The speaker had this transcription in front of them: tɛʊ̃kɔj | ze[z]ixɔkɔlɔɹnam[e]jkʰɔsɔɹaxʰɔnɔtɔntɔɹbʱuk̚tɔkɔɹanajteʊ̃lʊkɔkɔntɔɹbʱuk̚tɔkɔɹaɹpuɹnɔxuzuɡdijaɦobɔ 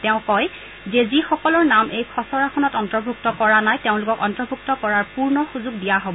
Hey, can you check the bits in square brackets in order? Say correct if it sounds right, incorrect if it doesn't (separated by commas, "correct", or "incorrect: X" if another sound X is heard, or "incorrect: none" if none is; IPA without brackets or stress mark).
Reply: correct, correct